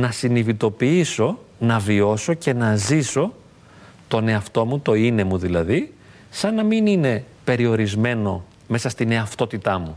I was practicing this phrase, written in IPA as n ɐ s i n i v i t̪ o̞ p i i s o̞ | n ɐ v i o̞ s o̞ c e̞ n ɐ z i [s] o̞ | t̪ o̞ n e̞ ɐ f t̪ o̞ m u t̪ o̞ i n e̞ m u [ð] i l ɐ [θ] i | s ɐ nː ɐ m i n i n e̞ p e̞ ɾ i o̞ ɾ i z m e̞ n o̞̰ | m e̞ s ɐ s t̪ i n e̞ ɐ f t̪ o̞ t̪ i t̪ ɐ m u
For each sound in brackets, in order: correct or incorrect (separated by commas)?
correct, correct, incorrect